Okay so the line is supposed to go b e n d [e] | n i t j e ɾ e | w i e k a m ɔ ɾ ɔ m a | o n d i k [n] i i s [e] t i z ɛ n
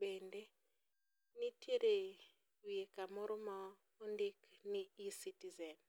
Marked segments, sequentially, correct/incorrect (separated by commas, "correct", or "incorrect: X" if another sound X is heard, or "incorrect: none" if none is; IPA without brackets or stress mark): correct, correct, incorrect: i